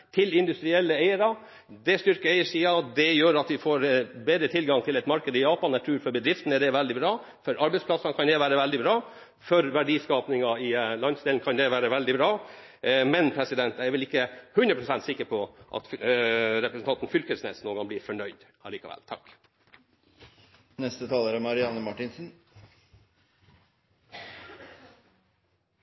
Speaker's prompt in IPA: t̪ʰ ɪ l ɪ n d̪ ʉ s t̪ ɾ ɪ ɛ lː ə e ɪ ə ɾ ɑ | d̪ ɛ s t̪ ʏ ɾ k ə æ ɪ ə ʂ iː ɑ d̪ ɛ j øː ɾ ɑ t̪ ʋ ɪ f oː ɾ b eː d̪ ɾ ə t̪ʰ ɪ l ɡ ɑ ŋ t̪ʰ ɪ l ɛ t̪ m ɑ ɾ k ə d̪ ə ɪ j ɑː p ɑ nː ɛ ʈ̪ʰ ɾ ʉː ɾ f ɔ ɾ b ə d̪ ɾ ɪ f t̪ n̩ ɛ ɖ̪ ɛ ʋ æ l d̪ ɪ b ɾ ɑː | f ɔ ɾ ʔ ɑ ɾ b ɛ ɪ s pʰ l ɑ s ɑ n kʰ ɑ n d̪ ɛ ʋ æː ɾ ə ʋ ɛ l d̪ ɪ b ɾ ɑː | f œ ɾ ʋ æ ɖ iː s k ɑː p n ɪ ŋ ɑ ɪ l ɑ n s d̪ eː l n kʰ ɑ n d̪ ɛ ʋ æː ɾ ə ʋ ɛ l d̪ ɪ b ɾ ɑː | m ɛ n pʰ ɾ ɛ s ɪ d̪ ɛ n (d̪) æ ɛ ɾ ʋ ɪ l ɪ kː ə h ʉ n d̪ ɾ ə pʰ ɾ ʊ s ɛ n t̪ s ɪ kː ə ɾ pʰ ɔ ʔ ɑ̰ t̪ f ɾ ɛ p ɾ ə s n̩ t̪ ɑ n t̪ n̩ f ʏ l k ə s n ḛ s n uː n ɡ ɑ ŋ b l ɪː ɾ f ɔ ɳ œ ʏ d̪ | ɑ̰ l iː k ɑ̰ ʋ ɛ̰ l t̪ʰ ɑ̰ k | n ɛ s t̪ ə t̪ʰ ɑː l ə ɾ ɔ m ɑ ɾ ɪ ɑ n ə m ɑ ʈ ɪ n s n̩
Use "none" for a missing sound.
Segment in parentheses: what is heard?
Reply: t̪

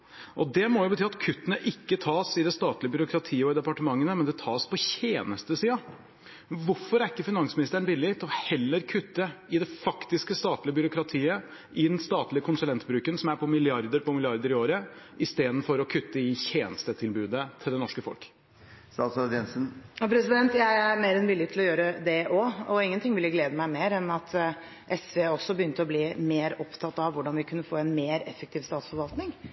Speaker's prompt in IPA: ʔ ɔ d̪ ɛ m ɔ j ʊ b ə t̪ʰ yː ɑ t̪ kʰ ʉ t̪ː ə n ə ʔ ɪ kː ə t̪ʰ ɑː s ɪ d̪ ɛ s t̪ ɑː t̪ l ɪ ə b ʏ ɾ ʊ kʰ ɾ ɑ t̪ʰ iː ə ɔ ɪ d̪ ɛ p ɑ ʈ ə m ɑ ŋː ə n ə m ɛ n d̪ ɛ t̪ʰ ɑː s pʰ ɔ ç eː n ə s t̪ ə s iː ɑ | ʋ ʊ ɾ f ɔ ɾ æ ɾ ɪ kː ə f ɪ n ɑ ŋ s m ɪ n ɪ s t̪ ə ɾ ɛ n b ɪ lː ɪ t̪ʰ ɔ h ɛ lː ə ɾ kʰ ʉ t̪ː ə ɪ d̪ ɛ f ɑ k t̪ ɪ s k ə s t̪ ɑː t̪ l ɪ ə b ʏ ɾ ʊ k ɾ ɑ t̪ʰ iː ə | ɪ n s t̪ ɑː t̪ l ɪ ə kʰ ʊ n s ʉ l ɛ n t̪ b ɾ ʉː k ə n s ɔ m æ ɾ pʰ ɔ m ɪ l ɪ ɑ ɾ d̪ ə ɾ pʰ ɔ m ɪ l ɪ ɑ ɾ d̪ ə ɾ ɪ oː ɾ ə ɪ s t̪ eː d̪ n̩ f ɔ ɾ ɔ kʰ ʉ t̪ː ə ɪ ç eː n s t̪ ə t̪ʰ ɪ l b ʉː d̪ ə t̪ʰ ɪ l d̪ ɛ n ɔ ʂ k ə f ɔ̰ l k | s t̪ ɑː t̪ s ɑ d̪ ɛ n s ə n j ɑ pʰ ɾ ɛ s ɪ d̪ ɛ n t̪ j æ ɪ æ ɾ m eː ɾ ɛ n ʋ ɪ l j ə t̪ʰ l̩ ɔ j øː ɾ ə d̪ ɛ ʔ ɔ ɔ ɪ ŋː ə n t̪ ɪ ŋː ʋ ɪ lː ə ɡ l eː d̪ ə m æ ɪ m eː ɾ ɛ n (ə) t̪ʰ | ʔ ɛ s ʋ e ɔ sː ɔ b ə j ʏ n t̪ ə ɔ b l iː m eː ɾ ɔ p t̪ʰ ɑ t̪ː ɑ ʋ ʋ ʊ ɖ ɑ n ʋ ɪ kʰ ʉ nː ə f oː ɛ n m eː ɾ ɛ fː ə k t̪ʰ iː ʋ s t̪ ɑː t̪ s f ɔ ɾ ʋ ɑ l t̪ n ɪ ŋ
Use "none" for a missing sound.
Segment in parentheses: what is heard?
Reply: ɑ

